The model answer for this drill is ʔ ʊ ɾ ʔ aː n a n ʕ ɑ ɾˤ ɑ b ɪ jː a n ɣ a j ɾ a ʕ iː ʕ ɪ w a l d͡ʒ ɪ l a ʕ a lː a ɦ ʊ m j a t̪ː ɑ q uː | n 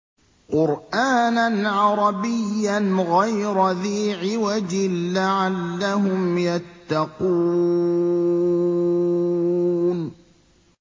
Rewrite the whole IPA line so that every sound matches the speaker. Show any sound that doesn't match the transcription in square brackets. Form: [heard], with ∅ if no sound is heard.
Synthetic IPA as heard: [q] ʊ ɾ ʔ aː n a n ʕ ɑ ɾˤ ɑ b ɪ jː a n ɣ a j ɾ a [ð] iː ʕ ɪ w a [∅] d͡ʒ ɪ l a ʕ a lː a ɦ ʊ m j a t̪ː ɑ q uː | n